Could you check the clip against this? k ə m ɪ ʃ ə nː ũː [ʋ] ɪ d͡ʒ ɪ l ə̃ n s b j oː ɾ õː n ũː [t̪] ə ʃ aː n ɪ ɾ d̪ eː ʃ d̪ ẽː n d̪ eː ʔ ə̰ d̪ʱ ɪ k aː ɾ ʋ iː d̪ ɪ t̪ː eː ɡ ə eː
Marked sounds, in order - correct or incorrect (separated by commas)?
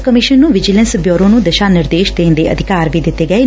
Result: correct, incorrect